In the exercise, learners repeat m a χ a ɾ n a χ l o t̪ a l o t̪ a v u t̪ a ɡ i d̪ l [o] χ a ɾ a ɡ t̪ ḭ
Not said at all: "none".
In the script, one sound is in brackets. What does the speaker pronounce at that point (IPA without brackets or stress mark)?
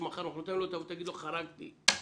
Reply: o